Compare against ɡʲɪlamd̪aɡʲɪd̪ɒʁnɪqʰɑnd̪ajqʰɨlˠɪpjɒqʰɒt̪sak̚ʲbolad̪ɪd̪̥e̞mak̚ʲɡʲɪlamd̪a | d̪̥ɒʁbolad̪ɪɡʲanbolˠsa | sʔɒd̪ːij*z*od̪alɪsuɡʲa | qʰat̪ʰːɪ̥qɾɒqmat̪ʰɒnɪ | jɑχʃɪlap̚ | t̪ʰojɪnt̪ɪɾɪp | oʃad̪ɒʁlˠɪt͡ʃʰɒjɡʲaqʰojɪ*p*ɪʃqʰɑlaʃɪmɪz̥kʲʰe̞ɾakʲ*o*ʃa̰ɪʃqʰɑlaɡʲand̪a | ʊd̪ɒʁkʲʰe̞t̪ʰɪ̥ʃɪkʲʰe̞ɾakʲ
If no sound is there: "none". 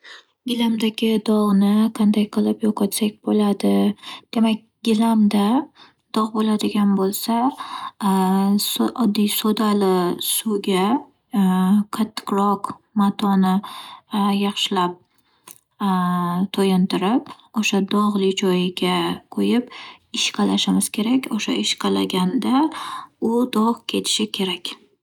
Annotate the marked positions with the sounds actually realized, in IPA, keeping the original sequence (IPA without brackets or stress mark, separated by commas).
s, p, o